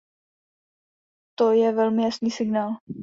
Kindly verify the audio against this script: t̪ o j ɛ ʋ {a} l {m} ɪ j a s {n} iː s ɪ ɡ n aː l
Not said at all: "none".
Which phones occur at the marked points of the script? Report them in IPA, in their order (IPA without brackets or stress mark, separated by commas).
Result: ɛ, m, n